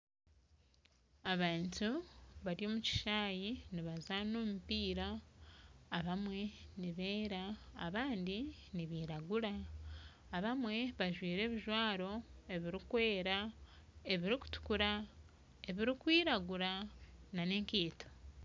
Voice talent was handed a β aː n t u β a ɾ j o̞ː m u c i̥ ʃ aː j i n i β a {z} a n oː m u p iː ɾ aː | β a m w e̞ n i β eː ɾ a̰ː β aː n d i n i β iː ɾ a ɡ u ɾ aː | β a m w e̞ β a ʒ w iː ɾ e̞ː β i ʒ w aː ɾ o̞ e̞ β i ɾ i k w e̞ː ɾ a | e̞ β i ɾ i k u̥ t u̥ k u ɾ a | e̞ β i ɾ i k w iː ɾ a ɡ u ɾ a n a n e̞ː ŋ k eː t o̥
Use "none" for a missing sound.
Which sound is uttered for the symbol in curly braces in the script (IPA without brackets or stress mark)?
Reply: z